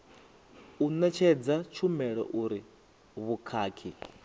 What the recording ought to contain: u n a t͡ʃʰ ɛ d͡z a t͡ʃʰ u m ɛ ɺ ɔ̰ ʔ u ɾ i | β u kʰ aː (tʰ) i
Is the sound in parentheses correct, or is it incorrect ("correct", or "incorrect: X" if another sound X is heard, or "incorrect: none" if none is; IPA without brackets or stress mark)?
incorrect: kʰ